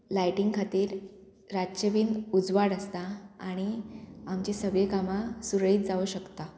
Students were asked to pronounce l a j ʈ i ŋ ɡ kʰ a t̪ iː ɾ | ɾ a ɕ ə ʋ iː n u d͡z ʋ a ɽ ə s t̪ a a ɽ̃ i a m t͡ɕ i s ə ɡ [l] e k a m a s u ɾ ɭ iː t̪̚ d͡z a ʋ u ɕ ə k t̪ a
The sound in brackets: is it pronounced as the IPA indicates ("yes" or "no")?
no